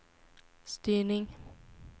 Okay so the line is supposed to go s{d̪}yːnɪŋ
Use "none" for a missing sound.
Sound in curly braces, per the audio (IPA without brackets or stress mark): t̪